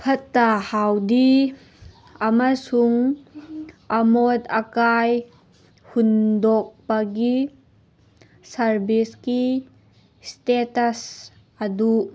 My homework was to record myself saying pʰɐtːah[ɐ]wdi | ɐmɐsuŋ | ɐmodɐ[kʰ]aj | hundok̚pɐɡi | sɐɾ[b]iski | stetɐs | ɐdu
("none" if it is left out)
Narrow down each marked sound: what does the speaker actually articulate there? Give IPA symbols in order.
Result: a, k, b

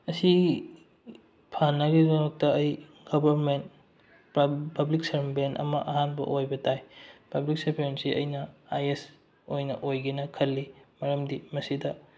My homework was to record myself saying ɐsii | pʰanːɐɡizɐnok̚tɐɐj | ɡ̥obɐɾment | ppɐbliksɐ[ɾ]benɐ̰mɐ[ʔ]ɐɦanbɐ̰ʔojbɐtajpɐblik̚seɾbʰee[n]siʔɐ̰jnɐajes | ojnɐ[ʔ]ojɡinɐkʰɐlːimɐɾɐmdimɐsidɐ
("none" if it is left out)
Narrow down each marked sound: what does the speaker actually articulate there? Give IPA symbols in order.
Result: ɾ, ʔ, n, ʔ

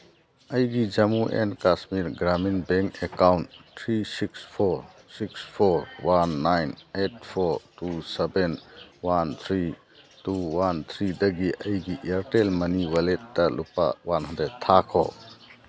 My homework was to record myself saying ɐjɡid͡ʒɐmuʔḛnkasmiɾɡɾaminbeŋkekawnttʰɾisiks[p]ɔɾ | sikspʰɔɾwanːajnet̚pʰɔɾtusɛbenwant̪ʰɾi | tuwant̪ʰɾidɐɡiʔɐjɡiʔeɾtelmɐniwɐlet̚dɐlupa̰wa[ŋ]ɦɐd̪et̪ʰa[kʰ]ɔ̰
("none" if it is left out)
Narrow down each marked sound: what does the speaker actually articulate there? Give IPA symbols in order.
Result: pʰ, n, kʰ

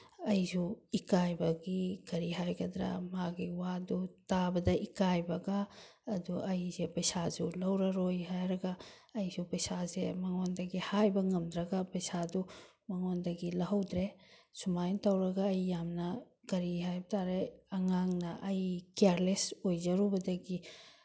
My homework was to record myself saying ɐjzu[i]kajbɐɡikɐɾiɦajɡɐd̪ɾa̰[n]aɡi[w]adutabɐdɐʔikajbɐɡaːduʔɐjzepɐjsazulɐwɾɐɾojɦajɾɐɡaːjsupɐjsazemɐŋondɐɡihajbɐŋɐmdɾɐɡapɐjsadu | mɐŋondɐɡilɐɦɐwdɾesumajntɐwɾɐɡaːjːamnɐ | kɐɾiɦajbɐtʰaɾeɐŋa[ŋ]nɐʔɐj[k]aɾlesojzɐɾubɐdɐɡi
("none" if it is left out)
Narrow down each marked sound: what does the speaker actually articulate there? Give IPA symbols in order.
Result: i, m, w, ŋ, k

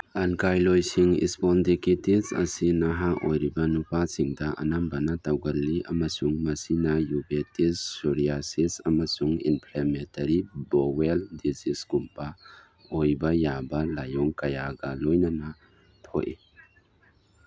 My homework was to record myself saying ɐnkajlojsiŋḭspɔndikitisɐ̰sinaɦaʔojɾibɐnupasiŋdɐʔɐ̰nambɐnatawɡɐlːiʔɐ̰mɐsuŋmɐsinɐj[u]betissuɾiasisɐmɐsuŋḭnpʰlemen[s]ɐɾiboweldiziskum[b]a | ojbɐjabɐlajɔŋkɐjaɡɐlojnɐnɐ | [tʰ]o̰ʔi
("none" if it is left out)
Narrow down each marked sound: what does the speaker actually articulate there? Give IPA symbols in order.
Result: u, t, p, tʰ

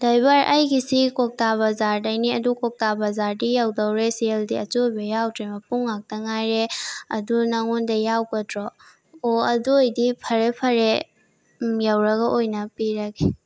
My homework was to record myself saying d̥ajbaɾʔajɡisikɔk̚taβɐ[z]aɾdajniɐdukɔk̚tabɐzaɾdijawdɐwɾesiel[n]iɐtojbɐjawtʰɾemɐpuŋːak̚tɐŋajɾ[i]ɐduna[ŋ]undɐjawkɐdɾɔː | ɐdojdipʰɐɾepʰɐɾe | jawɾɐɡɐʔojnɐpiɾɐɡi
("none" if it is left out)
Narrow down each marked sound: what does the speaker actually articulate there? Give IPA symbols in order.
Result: z, d, e, ŋ

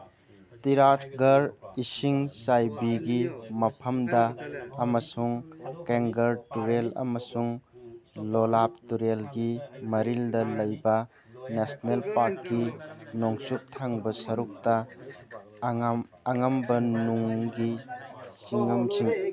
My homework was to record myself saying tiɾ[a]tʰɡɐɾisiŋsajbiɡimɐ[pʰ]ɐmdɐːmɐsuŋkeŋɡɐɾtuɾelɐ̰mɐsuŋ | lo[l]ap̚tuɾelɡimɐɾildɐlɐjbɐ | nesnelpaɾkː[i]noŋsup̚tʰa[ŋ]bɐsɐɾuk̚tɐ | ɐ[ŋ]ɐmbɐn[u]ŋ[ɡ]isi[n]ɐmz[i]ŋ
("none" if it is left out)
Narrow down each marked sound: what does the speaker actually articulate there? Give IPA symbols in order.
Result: a, pʰ, l, i, ŋ, ŋ, u, ɡ, ŋ, i

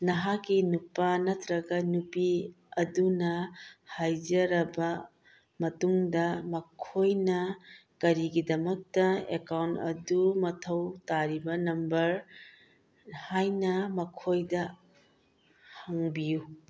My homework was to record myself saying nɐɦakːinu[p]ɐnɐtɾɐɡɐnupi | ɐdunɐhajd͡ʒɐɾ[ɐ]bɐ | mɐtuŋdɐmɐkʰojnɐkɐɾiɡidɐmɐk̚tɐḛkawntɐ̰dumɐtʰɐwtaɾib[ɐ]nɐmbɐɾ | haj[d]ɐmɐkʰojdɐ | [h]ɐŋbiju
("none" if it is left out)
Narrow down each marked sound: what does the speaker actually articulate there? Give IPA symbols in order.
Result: p, ɐ, ɐ, n, h

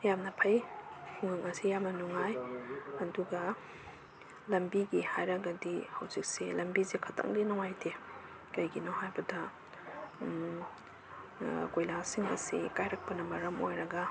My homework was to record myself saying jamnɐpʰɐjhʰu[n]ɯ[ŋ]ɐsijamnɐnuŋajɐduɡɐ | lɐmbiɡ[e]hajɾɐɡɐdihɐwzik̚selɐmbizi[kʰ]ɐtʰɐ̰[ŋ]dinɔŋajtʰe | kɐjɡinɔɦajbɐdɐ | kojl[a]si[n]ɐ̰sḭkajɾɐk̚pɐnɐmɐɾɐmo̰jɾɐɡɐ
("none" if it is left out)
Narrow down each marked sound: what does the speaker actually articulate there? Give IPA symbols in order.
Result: ŋ, ŋ, i, kʰ, ŋ, a, ŋ

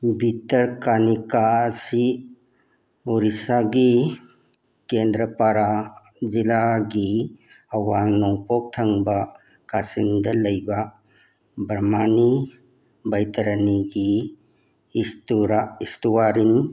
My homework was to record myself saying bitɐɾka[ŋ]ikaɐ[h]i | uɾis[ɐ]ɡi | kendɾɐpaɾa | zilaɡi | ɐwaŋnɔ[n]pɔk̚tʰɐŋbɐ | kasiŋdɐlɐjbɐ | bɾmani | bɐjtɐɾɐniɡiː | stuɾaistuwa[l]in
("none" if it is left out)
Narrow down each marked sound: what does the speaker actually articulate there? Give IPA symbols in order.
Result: n, s, a, ŋ, ɾ

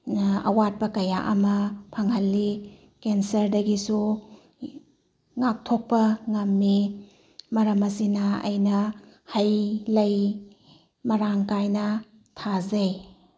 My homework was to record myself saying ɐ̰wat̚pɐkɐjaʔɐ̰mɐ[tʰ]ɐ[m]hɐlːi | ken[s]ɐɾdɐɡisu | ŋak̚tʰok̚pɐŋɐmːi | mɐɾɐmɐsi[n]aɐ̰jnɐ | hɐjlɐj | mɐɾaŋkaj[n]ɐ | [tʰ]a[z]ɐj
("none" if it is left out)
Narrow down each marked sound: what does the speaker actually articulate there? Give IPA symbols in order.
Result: pʰ, ŋ, s, n, n, tʰ, z

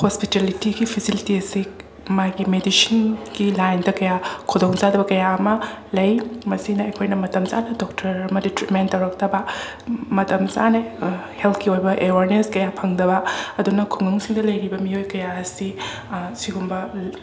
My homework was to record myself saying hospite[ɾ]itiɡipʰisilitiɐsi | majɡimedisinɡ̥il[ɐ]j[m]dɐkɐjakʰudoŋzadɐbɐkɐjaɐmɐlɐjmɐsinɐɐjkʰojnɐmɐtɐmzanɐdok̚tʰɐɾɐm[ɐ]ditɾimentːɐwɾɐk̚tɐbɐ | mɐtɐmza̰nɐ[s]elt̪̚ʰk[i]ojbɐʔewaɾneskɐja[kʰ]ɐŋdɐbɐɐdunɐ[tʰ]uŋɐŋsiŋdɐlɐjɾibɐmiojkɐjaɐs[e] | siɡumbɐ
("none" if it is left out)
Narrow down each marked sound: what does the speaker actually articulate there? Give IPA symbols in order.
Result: l, a, n, ɐ, h, i, pʰ, kʰ, i

